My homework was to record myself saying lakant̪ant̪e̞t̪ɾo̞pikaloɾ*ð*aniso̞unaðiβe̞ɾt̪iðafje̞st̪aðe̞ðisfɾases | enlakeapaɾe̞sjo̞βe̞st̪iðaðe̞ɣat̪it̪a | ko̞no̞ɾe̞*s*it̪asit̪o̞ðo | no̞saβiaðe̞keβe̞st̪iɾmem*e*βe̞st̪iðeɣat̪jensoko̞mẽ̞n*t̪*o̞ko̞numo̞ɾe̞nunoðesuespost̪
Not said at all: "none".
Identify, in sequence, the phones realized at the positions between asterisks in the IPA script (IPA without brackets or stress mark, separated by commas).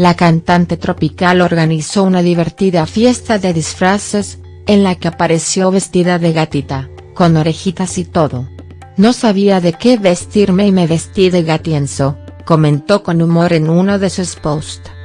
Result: ɣ, x, e, t̪